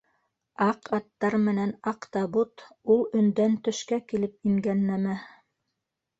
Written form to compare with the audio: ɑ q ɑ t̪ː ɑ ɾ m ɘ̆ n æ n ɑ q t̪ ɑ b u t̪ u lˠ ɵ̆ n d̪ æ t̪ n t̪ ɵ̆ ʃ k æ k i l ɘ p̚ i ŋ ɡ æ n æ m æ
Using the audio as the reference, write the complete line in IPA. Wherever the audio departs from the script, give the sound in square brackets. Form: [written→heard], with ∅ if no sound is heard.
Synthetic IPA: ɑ q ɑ t̪ː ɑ ɾ m ɘ̆ n æ n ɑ q t̪ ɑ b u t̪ u lˠ ɵ̆ n d̪ æ [t̪→∅] n t̪ ɵ̆ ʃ k æ k i l ɘ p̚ i ŋ ɡ æ [n→nː] æ m æ